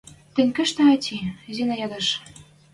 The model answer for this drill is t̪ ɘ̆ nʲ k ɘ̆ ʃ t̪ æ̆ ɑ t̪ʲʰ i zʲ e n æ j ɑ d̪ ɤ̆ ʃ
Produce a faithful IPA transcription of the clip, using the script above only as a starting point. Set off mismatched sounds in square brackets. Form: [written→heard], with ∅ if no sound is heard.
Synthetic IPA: t̪ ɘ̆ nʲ k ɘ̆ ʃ t̪ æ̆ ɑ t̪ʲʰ i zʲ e n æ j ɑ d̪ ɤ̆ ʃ